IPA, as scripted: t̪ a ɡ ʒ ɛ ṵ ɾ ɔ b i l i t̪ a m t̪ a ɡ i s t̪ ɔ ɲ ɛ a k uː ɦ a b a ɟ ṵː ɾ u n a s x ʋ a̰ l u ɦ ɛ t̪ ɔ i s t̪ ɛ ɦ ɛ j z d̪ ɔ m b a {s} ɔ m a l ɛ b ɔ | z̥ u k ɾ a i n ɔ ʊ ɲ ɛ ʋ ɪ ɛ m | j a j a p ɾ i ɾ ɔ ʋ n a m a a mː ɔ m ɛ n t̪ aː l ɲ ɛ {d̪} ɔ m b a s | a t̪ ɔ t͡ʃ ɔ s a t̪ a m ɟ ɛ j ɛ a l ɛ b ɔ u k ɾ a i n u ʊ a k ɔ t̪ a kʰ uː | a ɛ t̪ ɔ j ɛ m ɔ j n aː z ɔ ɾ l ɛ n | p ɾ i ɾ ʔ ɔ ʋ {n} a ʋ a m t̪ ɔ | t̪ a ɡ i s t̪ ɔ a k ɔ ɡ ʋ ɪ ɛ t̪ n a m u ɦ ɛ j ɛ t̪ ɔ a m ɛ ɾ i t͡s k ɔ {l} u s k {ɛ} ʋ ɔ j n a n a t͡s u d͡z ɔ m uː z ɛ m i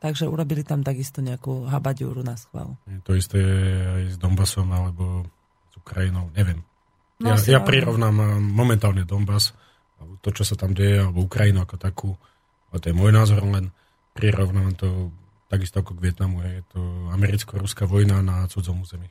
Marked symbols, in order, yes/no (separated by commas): yes, yes, yes, no, no